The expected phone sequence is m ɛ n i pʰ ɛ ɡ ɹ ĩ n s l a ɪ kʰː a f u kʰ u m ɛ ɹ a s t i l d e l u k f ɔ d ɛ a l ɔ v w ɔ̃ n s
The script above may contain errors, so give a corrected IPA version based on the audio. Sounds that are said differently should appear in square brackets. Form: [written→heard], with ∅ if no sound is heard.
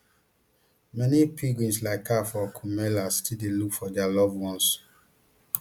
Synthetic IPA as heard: m ɛ n i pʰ [ɛ→i] ɡ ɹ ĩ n s l a ɪ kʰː a f [u→ɔ] kʰ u m ɛ [ɹ→l] a s t i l d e l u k f ɔ d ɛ a l ɔ v w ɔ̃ n s

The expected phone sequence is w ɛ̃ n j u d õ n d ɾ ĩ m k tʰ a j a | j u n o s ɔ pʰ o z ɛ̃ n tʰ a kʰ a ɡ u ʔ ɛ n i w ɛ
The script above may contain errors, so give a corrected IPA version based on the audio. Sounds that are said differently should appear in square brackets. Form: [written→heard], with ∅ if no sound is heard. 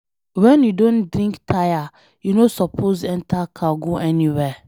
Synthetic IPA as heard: w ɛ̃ n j u d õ n d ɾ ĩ [m→ŋ] k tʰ a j a | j u n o s ɔ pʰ o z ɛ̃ n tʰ a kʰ a ɡ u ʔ ɛ n i w ɛ

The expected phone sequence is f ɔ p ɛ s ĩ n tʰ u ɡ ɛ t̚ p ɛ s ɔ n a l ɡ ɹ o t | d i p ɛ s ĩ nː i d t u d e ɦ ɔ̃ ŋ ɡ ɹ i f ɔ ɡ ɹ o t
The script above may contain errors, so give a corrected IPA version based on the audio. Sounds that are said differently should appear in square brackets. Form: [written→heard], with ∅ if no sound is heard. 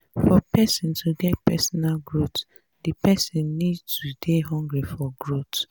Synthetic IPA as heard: f ɔ p ɛ s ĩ n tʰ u ɡ ɛ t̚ p ɛ s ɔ n a l ɡ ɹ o t | d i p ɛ s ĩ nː i d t u d e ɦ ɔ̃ ŋ ɡ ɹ i f ɔ ɡ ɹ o t

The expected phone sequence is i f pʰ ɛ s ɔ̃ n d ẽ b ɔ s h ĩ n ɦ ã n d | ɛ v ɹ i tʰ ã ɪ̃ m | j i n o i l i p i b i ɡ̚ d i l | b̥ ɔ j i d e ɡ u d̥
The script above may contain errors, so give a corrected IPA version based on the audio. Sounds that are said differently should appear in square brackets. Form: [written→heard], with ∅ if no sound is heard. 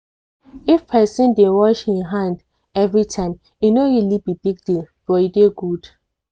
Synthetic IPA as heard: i f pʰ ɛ s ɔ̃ n d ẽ [b→w] ɔ [s→ʃ] h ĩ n ɦ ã n d | ɛ v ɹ i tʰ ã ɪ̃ m | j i n o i l i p i b i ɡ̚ d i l | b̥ ɔ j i d e ɡ u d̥

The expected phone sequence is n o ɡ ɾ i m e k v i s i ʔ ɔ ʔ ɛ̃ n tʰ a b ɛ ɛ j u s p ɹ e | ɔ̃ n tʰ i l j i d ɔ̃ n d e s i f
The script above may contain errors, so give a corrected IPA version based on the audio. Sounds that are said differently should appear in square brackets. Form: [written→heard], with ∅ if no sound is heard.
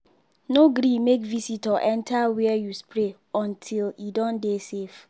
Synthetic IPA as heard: n o ɡ ɾ i m e k v i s i [ʔ→t] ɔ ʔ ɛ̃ n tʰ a [b→w] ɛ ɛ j u s p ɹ e | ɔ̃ n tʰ i l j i d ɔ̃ n d e s [i→e] f

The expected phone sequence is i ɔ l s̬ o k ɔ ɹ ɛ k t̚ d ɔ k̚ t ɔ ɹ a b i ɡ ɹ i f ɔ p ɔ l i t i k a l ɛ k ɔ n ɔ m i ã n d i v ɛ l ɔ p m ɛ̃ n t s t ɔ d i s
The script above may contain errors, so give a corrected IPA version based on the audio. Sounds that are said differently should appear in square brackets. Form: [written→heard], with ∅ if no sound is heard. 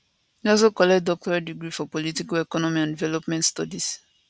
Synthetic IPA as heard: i ɔ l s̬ o k ɔ [ɹ→l] ɛ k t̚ d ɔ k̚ t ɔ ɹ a [b→d] i ɡ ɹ i f ɔ p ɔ l i t i k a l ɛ k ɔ n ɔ m i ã n d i v ɛ l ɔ p m ɛ̃ n t s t ɔ d i s

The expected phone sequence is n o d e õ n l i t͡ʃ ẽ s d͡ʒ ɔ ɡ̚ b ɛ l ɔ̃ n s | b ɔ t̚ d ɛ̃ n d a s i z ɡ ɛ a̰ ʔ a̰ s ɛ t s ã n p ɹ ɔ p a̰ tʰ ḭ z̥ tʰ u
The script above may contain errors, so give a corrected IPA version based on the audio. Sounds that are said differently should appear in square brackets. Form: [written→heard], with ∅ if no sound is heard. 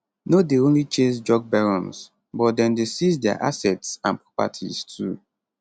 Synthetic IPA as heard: n o d e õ n l i t͡ʃ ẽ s d͡ʒ ɔ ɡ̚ b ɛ [l→ɹ] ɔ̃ n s | b ɔ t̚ d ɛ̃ n d [a→e] s i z [ɡ→d] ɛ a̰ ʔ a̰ s ɛ t s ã n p ɹ ɔ p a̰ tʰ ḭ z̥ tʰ u

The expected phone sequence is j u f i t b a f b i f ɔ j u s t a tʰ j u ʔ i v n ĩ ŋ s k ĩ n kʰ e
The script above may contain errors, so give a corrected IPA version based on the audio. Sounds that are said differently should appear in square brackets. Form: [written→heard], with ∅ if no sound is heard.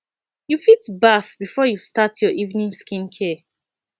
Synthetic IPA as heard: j u f i t b a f b i f ɔ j u s t a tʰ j [u→ɔ] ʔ i v n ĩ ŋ s k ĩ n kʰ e

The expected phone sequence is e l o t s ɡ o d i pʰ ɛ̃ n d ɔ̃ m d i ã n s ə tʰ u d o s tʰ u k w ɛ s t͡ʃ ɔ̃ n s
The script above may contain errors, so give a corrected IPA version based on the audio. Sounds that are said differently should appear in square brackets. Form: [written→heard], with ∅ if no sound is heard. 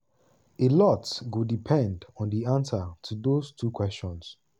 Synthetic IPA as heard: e l [o→ɔ] t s ɡ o d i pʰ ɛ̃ n d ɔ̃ [m→n] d i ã n s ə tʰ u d o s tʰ u k w ɛ s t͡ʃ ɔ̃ n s

